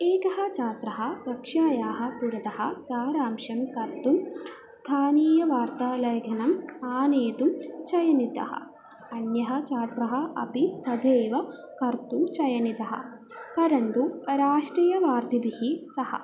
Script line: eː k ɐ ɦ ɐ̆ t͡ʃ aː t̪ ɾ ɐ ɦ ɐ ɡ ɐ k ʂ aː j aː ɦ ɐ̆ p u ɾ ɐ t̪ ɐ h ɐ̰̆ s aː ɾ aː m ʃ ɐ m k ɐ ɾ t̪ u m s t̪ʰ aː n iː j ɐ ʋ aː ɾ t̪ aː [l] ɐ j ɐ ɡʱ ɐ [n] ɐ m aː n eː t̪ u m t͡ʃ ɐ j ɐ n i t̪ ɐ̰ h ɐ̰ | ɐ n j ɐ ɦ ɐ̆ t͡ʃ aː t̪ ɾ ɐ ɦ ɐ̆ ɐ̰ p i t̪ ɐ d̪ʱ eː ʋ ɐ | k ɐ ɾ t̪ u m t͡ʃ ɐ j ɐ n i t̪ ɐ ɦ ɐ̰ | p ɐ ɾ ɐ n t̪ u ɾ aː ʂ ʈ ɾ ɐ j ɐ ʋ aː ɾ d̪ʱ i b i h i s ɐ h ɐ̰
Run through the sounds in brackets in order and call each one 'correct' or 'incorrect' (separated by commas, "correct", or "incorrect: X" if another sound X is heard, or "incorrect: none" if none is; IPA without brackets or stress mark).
correct, correct